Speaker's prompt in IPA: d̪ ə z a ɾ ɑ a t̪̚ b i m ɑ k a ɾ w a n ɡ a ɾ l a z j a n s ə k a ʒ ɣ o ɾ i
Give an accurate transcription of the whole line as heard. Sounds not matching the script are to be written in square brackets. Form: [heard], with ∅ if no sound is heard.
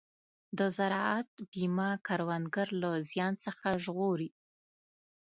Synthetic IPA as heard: d̪ ə z a ɾ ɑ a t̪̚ b i m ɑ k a ɾ w a n ɡ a ɾ l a z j [ɑ] n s ə [x] a ʒ ɣ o ɾ i